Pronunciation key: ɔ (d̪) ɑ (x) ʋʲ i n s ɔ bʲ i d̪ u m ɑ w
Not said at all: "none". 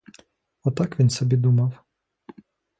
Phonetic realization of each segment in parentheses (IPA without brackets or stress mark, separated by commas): t̪, k